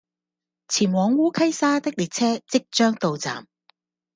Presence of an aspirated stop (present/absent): present